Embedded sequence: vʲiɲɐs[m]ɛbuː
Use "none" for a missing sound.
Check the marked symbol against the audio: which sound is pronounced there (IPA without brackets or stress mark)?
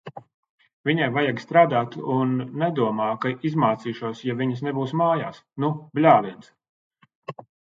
n